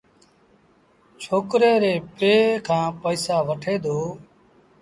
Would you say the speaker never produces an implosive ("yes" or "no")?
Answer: yes